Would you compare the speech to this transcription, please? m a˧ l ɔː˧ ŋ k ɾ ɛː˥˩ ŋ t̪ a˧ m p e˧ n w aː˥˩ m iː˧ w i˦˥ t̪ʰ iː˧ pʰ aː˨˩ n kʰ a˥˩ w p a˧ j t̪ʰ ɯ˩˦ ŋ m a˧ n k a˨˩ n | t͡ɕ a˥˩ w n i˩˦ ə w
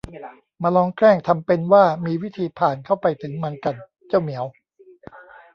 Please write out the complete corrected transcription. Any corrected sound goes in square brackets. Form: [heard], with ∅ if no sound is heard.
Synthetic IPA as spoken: m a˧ l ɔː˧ ŋ k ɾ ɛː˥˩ ŋ [t̪ʰ] a˧ m p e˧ n w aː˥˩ m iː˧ w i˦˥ t̪ʰ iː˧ pʰ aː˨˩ n kʰ a˥˩ w p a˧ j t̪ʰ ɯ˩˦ ŋ m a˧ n k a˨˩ n | t͡ɕ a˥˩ w [m] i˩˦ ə w